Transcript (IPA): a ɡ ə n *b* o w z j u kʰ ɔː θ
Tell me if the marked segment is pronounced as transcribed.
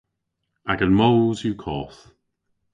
no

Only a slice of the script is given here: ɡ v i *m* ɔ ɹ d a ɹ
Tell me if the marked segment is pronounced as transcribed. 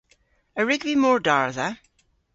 yes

